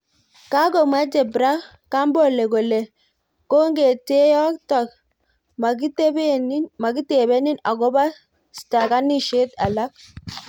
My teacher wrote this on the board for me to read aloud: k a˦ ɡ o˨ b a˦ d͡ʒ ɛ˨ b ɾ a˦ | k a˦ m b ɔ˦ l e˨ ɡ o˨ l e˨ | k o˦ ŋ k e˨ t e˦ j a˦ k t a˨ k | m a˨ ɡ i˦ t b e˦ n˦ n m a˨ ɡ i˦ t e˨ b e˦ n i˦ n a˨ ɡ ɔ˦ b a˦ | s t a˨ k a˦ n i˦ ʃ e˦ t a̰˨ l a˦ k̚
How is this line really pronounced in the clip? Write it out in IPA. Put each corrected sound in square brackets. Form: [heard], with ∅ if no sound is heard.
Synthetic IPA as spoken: k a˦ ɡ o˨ [m] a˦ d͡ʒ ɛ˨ b ɾ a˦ | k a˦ m b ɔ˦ l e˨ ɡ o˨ l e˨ | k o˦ ŋ [ɡ] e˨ t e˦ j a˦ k t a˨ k | m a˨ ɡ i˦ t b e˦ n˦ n m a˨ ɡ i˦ t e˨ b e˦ n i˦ n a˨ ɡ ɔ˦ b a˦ | s t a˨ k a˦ n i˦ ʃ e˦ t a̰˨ l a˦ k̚

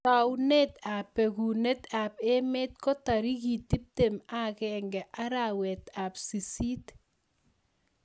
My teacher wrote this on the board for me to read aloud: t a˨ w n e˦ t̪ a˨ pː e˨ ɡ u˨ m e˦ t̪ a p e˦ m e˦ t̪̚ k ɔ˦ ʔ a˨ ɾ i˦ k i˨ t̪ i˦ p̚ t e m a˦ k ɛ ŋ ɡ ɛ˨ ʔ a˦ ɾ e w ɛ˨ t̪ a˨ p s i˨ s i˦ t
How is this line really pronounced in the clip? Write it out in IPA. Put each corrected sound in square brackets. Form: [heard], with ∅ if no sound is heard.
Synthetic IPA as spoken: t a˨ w n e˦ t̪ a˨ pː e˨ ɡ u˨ [n] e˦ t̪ a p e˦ m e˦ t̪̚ k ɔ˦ [t] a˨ ɾ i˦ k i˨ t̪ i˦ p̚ t e m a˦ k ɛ ŋ ɡ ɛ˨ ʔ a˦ ɾ [a] w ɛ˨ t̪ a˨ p s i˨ s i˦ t

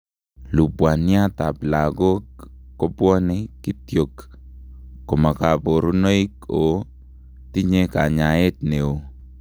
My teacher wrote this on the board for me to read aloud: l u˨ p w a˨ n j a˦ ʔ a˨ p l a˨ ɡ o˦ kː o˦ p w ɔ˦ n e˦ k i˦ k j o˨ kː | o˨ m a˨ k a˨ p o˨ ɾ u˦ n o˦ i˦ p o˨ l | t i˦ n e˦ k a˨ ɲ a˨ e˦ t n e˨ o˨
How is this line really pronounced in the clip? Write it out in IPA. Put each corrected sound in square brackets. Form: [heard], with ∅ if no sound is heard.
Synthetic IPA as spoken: l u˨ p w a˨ n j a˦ [t] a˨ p l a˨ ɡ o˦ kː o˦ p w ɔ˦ n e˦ k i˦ [t] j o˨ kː | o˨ m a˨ k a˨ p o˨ ɾ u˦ n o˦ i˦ [k] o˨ [∅] | t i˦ [ɲ] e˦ k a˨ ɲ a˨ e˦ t n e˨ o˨

